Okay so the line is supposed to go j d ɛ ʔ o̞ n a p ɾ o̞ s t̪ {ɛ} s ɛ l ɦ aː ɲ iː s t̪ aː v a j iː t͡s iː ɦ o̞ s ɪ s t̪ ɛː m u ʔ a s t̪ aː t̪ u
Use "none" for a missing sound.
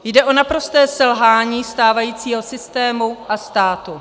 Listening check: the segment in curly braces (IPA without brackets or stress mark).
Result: ɛː